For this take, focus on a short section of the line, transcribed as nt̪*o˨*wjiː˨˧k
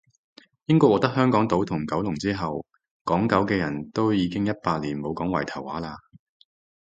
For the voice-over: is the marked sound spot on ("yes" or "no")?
no